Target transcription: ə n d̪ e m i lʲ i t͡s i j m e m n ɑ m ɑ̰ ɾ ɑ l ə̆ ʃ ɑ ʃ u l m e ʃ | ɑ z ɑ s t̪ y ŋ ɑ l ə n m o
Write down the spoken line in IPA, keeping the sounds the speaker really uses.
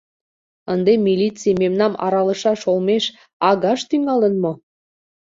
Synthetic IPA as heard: ə n d̪ e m i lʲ i t͡s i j m e m n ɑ m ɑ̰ ɾ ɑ l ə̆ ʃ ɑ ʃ o l m e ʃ | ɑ ɣ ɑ ʃ t̪ y ŋ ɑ l ə n m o